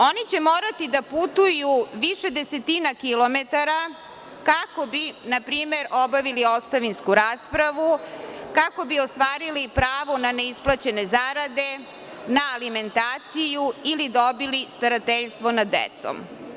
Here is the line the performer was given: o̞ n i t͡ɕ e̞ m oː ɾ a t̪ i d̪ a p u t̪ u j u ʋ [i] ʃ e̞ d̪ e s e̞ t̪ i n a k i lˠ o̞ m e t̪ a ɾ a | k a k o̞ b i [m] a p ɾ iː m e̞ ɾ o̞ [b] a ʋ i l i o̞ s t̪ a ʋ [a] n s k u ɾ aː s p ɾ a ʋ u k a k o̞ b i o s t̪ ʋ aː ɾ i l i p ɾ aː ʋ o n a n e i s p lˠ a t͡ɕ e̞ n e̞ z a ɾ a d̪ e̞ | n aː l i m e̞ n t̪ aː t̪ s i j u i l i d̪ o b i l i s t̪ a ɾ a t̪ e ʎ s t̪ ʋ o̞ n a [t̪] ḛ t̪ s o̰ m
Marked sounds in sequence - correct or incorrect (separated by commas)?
correct, incorrect, correct, incorrect, incorrect